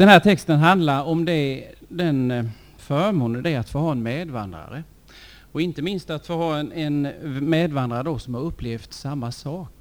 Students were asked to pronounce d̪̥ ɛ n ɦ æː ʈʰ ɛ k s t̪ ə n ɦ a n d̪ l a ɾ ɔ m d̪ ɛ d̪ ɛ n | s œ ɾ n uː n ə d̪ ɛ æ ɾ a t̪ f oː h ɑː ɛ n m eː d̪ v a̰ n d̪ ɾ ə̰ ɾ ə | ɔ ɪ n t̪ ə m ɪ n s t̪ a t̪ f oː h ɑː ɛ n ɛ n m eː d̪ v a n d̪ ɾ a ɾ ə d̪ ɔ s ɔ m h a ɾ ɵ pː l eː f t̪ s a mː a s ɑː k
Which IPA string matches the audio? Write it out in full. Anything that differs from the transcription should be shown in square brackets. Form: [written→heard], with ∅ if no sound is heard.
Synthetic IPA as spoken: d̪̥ ɛ n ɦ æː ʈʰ ɛ k s t̪ ə n ɦ a n d̪ l a ɾ ɔ m d̪ ɛ d̪ ɛ n | [s→f] œ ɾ [n→m] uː n ə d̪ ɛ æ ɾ a t̪ f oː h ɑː ɛ n m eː d̪ v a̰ n d̪ ɾ [ə̰→a̰] ɾ ə | ɔ ɪ n t̪ ə m ɪ n s t̪ a t̪ f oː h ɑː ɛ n ɛ n m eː d̪ v a n d̪ ɾ a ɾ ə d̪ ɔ s ɔ m h a ɾ ɵ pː l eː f t̪ s a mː a s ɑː k